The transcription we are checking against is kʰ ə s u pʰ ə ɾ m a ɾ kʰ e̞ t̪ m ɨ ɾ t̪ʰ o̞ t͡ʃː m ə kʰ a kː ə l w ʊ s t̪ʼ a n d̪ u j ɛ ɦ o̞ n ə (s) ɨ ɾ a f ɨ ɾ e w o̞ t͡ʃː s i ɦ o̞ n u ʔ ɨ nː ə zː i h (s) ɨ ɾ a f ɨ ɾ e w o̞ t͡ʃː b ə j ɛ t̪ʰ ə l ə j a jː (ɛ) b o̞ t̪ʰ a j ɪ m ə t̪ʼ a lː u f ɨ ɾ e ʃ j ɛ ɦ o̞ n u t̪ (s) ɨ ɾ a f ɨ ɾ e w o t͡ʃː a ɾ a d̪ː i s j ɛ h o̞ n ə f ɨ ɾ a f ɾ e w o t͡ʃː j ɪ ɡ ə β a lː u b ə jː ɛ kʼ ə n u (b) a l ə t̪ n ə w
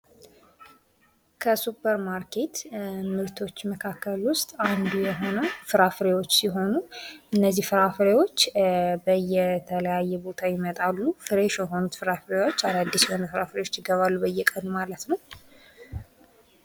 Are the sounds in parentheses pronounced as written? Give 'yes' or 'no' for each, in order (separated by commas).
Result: no, no, yes, no, no